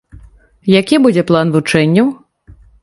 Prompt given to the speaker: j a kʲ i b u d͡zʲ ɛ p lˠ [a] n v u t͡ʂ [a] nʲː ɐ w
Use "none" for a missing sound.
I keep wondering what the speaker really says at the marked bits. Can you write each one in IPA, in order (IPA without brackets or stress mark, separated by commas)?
a, ɛ